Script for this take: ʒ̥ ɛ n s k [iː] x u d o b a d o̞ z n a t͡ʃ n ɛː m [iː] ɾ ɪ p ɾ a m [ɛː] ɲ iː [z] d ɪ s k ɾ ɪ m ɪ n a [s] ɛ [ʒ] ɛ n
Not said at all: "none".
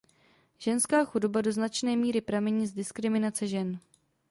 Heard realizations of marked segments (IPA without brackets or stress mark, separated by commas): aː, iː, ɛ, z, t͡s, ʒ